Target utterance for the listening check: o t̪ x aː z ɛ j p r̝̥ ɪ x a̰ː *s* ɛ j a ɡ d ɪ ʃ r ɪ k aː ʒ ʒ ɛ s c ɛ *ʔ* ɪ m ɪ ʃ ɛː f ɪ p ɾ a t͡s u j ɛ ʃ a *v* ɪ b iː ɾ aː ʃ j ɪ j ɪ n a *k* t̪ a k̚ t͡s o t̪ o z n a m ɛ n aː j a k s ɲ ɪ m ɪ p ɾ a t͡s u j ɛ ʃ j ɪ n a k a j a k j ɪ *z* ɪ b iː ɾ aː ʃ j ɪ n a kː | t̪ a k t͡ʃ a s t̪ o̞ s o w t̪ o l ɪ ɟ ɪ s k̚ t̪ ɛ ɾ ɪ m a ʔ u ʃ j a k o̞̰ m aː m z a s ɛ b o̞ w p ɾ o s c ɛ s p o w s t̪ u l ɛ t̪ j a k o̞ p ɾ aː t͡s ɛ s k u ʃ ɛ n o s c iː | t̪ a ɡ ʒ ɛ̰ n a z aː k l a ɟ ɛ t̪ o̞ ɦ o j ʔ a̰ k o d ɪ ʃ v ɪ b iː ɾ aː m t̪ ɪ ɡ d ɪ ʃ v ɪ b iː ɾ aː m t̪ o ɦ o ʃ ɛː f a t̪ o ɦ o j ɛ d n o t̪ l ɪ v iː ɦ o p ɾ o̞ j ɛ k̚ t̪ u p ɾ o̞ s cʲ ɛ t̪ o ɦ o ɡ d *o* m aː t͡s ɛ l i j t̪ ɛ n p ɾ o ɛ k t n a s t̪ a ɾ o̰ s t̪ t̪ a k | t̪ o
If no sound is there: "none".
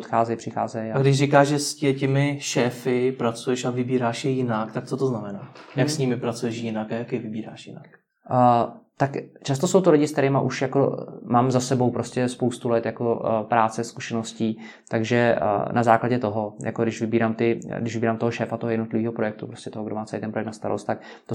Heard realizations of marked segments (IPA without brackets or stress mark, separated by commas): z, c, v, k, v, o